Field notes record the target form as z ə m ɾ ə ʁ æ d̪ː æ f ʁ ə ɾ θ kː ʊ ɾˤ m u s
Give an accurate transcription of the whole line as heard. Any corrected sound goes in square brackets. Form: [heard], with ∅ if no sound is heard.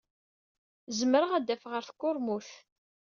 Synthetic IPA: z ə m ɾ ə ʁ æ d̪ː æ f ʁ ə ɾ θ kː ʊ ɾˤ m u [θ]